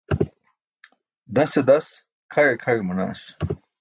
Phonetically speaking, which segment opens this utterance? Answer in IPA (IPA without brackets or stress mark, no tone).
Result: d̪